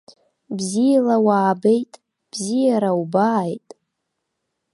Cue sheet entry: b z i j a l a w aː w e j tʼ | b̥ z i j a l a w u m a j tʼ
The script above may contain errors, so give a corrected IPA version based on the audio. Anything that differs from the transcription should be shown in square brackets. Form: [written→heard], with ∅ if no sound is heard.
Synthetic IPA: b z i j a l a w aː [w→b] e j tʼ | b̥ z i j a [l→ɾ] a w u [m→b] a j tʼ